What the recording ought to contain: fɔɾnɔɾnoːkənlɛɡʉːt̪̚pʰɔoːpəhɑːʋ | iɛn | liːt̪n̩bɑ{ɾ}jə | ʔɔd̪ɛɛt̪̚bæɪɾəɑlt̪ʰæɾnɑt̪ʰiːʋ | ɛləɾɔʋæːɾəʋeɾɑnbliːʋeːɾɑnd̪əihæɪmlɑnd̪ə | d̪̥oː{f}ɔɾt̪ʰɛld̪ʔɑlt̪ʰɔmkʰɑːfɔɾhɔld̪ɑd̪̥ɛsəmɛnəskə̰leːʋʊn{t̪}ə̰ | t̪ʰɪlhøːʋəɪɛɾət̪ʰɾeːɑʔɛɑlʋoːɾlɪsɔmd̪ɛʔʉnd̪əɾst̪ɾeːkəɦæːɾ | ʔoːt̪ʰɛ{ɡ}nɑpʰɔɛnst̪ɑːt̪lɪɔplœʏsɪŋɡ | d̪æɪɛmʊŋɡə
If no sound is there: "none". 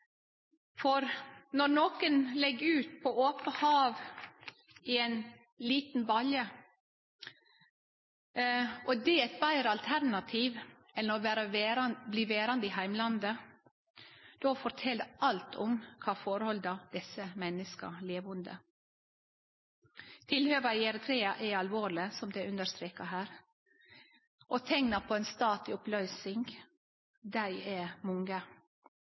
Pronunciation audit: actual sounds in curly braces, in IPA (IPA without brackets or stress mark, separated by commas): l, f, d̪, ŋ